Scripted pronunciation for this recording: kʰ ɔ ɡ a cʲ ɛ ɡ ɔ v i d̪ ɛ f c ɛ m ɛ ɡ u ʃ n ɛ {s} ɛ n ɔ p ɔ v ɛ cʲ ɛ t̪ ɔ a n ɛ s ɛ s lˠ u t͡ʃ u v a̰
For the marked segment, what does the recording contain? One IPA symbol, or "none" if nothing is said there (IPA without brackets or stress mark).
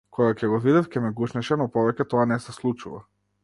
ʃ